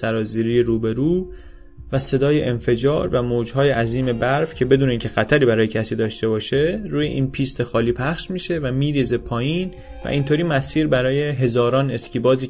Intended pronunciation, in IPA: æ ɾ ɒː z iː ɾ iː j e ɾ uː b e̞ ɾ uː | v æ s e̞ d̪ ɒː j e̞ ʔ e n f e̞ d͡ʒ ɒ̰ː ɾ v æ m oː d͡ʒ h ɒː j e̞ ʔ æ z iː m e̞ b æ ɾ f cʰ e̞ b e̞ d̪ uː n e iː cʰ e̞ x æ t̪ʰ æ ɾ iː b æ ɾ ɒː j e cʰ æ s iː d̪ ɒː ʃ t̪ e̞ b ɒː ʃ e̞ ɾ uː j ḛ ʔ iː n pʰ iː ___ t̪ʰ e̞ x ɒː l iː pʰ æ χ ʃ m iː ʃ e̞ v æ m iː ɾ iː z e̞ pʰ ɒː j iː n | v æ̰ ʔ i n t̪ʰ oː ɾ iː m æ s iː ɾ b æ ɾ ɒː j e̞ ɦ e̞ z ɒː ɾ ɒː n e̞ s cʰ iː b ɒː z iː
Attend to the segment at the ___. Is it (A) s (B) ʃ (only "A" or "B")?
A